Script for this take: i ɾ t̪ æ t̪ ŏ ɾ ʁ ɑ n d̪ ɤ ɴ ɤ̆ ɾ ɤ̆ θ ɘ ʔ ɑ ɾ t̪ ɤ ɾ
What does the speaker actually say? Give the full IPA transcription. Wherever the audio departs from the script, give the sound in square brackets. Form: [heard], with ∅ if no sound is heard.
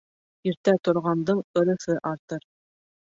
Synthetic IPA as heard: i ɾ t̪ æ t̪ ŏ ɾ ʁ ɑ n d̪ ɤ ɴ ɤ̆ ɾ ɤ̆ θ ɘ ʔ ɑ ɾ t̪ ɤ ɾ